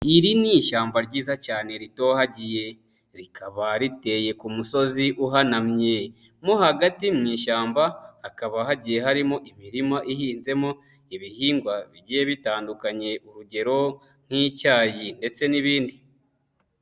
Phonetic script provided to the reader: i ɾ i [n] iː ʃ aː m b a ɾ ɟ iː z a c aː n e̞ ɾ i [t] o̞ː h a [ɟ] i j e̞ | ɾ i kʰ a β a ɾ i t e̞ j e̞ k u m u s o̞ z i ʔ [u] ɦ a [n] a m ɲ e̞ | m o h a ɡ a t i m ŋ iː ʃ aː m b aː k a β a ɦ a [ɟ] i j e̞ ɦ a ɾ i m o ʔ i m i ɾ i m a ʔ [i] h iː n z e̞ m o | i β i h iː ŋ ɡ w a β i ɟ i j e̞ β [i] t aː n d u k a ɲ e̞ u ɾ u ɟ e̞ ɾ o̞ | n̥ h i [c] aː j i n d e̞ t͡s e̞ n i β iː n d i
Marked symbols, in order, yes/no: yes, yes, yes, yes, yes, yes, yes, yes, yes

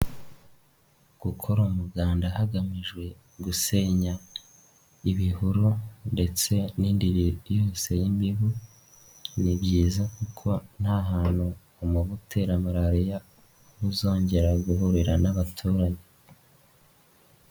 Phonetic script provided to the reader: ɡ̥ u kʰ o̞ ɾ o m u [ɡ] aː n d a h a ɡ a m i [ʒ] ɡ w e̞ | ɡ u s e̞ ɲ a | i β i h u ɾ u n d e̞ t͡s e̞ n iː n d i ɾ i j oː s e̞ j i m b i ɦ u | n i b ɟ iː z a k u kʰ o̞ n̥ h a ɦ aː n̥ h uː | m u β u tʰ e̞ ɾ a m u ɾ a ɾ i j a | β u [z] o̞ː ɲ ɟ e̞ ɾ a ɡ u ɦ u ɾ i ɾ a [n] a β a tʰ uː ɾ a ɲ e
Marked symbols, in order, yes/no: yes, yes, yes, yes

